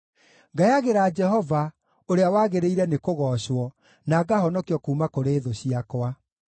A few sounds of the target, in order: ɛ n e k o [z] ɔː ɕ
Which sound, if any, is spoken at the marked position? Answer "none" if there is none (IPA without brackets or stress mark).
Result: ɣ